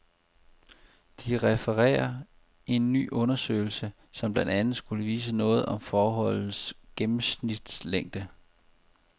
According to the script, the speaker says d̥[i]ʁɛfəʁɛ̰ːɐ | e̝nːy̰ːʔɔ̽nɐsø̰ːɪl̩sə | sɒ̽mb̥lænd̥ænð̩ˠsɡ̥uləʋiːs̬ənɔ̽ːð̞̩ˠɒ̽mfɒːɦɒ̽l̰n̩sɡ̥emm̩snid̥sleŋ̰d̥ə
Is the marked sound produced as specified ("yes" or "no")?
yes